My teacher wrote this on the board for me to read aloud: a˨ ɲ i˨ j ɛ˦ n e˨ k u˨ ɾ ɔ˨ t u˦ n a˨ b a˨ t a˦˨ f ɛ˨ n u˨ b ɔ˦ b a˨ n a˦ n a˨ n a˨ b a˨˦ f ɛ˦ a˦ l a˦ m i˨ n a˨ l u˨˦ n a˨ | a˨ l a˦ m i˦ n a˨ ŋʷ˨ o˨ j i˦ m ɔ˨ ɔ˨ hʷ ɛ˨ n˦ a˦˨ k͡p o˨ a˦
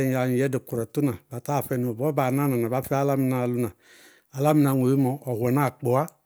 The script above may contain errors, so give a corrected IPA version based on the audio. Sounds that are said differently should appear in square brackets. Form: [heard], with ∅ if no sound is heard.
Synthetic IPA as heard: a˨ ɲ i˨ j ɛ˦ [d] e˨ k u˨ ɾ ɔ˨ t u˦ n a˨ b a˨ t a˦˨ f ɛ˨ n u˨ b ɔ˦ b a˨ n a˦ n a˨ n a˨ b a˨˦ f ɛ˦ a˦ l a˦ m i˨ n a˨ l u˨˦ n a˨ | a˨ l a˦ m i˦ n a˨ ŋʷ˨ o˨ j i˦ m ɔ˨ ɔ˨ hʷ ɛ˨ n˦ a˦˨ k͡p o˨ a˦